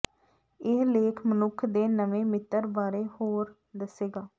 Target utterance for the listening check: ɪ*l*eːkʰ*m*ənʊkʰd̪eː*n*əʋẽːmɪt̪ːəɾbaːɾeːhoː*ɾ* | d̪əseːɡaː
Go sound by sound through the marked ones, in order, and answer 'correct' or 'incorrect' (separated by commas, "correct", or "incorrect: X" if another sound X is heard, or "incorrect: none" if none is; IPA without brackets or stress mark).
correct, correct, correct, correct